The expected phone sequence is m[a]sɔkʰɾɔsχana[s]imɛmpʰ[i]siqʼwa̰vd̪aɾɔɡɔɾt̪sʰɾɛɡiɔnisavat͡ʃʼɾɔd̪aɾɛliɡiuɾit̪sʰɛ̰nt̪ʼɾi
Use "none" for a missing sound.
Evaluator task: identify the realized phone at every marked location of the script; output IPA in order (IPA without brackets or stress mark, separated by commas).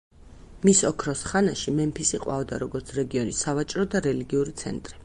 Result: i, ʃ, i